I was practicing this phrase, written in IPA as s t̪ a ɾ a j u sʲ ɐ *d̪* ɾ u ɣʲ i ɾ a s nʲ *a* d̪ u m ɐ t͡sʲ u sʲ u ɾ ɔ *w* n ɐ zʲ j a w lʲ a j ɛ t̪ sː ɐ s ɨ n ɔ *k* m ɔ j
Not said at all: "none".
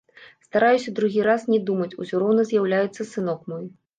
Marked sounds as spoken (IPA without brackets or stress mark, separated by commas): d̪, ɛ, w, k